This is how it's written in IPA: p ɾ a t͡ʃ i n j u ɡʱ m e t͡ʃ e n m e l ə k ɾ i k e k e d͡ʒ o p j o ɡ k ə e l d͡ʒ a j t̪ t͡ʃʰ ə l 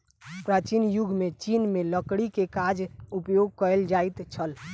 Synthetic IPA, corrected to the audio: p ɾ a t͡ʃ i n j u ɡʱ m e t͡ʃ i n m e l ə k ɽ i k e k a d͡ʒ u p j o ɡ k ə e l d͡ʒ a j t̪ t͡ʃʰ ə l